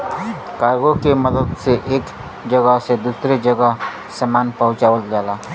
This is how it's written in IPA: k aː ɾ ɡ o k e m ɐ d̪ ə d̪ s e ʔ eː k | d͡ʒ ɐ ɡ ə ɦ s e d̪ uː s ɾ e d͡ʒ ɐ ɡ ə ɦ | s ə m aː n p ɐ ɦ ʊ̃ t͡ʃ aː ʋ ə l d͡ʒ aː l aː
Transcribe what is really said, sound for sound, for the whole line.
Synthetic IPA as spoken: k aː ɾ ɡ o k e m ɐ d̪ ə d̪ s e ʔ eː k | d͡ʒ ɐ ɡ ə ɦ s e d̪ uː s ɾ e d͡ʒ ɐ ɡ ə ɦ | s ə m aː n p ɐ ɦ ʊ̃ t͡ʃ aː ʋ ə l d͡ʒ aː l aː